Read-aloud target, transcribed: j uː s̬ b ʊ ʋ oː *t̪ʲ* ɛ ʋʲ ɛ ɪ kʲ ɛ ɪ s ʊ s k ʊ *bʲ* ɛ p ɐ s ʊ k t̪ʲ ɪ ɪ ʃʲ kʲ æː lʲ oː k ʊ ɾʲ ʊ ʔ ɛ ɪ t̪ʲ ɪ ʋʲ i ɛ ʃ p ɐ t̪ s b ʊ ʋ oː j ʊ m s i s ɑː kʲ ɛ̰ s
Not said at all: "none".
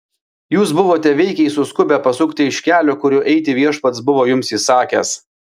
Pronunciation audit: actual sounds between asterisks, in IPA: t̪ʲ, bʲ

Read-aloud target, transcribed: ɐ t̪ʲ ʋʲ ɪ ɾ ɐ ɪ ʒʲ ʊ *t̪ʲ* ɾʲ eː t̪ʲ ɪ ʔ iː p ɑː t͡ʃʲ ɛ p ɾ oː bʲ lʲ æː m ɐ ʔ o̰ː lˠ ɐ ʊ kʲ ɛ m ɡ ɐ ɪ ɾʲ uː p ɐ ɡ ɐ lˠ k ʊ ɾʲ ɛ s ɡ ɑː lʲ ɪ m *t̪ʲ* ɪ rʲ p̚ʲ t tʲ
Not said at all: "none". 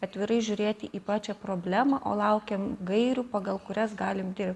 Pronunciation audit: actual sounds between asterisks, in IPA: none, d̪ʲ

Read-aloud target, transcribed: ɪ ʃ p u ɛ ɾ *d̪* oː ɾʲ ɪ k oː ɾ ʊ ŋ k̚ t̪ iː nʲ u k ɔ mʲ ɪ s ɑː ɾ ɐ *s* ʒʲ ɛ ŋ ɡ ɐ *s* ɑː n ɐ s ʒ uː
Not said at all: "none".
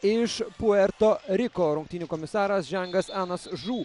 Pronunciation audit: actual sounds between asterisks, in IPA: t̪, s, s

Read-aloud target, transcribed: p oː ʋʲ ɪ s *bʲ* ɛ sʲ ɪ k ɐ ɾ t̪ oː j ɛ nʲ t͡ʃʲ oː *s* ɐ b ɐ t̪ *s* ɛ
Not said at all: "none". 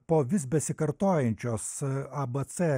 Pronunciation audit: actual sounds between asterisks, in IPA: bʲ, s, s

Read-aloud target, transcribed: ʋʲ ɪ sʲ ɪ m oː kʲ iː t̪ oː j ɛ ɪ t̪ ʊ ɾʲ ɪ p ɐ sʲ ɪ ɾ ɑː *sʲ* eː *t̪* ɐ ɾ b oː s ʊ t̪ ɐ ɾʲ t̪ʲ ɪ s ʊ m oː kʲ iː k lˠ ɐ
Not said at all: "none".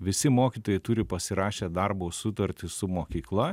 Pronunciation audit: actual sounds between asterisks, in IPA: ʃʲ, d̪

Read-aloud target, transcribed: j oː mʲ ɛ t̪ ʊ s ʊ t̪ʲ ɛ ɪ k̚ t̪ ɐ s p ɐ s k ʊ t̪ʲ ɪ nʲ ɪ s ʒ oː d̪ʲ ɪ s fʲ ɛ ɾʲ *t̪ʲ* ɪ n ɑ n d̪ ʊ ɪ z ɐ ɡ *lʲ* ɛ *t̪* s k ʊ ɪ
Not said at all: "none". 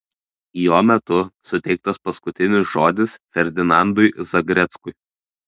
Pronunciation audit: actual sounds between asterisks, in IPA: d̪ʲ, ɾʲ, t̪

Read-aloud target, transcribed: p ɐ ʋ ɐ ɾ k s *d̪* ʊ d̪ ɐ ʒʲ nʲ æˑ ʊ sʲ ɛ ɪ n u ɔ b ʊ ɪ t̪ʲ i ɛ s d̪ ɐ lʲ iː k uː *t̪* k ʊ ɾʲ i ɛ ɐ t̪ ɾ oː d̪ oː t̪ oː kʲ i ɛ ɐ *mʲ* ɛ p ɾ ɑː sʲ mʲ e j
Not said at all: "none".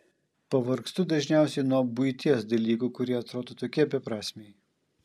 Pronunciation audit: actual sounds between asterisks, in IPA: t̪, none, bʲ

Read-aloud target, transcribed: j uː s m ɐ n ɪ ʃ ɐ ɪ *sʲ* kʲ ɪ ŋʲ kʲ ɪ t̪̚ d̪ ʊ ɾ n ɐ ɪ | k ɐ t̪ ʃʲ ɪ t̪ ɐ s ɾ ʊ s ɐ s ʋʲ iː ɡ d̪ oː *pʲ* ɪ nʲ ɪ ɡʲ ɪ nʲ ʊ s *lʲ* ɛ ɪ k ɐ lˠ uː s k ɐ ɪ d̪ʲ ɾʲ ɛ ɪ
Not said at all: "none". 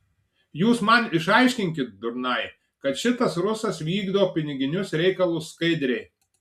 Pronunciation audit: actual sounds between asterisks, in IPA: ʃʲ, pʲ, ɾʲ

